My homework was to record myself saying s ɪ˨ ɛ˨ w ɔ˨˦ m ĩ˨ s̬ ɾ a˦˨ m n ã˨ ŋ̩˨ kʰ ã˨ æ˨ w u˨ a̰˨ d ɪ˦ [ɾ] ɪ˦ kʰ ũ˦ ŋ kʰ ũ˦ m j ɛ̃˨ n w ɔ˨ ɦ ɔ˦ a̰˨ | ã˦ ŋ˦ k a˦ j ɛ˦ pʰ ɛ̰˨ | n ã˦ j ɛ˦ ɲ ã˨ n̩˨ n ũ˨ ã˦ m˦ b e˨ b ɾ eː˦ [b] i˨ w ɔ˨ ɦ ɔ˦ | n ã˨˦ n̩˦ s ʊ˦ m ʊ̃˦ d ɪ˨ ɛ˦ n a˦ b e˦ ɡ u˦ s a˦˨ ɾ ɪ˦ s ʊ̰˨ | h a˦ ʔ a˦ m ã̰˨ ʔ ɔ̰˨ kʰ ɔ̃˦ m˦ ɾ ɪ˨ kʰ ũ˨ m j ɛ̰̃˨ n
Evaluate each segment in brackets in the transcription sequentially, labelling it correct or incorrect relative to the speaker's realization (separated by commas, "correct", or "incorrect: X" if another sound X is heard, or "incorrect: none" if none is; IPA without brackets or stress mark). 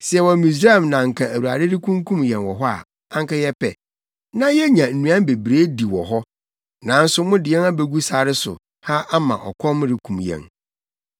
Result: correct, incorrect: d